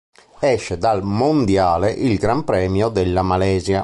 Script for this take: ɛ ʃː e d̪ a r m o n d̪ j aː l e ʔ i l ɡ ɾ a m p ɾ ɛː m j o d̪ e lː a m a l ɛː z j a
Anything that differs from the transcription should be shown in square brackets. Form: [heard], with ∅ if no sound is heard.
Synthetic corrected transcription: ɛ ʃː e d̪ a [l] m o n d̪ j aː l e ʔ i l ɡ ɾ a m p ɾ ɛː m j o d̪ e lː a m a l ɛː z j a

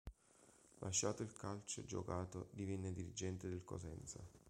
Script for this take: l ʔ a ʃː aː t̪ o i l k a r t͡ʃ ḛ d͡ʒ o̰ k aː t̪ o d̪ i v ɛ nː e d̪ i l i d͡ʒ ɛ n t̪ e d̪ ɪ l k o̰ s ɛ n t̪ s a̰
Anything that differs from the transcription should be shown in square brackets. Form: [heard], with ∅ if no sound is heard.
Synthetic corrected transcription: l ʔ a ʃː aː t̪ o i l k a [l] t͡ʃ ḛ d͡ʒ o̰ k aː t̪ o d̪ i v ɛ nː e d̪ i [ɾ] i d͡ʒ ɛ n t̪ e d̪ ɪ l k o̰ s ɛ n t̪ s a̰

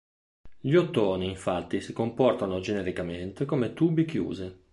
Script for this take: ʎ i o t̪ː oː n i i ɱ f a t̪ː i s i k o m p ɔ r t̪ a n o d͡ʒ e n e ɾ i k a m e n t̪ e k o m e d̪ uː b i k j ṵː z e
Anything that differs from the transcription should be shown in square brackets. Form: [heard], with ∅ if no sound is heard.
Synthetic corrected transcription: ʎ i o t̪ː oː n i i ɱ f a t̪ː i s i k o m p ɔ r t̪ a n o d͡ʒ e n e ɾ i k a m e n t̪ e k o m e [t̪] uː b i k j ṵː z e

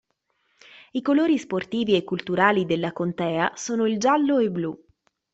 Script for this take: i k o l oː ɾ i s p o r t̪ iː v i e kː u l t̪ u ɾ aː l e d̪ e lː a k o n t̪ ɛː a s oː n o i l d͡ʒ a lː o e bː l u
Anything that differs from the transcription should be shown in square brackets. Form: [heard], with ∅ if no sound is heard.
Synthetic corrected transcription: i k o l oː ɾ i s p o r t̪ iː v i e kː u l t̪ u ɾ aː l [i] d̪ e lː a k o n t̪ ɛː a s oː n o i l d͡ʒ a lː o e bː l u

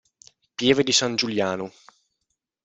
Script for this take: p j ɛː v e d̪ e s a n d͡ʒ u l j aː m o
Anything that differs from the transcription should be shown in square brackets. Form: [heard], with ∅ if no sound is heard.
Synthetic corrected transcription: p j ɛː v e d̪ [i] s a n d͡ʒ u l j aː [n] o

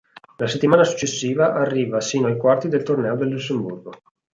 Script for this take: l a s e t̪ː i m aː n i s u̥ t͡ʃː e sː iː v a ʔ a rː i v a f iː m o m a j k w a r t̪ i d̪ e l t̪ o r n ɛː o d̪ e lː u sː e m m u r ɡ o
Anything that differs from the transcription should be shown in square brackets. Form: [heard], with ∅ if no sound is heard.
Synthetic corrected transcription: l a s e t̪ː i m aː n [a] s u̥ t͡ʃː e sː iː v a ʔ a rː [iː] v a [s] iː [n] o [∅] a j k w a r t̪ i d̪ e l t̪ o r n ɛː o d̪ e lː u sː e m [b] u r ɡ o

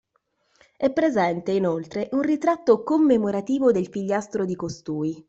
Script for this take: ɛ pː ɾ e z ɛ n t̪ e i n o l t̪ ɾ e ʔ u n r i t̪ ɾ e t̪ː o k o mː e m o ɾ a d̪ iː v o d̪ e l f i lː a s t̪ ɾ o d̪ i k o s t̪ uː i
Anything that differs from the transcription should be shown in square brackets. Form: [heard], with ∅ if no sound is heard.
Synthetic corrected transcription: ɛ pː ɾ e z ɛ n t̪ e i n o l t̪ ɾ e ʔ u n r i t̪ ɾ [a] t̪ː o k o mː e m o ɾ a [t̪] iː v o d̪ e l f i [ʎː] a s t̪ ɾ o d̪ i k o s t̪ uː i

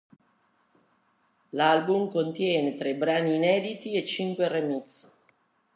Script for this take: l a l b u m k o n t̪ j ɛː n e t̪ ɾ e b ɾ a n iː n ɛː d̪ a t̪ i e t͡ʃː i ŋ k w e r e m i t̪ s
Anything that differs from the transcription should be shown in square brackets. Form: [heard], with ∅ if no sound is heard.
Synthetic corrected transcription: l a l b u m k o n t̪ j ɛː n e t̪ ɾ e b ɾ a n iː n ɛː d̪ [i] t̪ i e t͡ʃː i ŋ k w e r e m i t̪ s

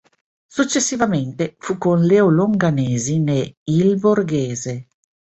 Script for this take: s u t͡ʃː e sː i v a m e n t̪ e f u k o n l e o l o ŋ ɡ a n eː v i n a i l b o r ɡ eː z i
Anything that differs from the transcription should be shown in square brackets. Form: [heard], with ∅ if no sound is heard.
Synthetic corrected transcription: s u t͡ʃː e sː i v a m e n t̪ e f u k o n l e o l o ŋ ɡ a n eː [z] i n [e] i l b o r ɡ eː z [e]

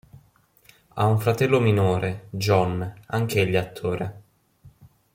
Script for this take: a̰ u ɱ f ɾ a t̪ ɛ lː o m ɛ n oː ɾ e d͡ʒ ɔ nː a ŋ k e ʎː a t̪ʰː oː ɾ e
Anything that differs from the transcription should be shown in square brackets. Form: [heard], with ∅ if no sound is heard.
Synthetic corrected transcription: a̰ u ɱ f ɾ a t̪ ɛ lː o m [i] n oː ɾ e d͡ʒ ɔ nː a ŋ k e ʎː a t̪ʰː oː ɾ e

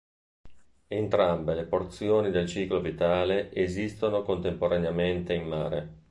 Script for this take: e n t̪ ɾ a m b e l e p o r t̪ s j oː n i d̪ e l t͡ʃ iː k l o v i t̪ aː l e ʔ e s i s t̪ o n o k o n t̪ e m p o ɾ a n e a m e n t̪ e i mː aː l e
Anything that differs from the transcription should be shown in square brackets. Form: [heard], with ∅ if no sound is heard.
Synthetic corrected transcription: e n t̪ ɾ a m b e l e p o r t̪ s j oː n i d̪ e l t͡ʃ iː k l o v i t̪ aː l e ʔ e [z] i s t̪ o n o k o n t̪ e m p o ɾ a n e a m e n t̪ e i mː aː [ɾ] e

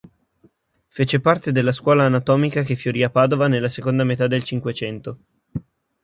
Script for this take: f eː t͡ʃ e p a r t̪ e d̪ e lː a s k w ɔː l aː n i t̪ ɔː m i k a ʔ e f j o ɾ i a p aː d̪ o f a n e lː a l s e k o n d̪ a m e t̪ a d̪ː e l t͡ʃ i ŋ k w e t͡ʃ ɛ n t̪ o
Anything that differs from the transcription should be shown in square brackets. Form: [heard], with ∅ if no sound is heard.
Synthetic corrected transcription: f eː t͡ʃ e p a r t̪ e d̪ e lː a s k w ɔː l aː n [a] t̪ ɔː m i k a [k] e f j o ɾ i a p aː d̪ o [v] a n e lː a [∅] s e k o n d̪ a m e t̪ a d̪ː e l t͡ʃ i ŋ k w e t͡ʃ ɛ n t̪ o

